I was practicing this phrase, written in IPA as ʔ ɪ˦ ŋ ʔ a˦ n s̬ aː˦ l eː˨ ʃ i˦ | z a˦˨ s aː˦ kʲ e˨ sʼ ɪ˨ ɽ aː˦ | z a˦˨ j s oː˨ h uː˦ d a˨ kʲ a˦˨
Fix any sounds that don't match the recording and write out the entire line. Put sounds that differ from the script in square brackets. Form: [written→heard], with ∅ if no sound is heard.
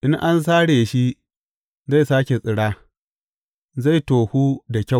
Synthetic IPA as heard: ʔ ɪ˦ ŋ ʔ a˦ n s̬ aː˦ [l→ɽ] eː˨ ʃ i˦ | z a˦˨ s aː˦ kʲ e˨ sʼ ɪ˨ ɽ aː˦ | z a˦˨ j [s→t] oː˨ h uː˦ d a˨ kʲ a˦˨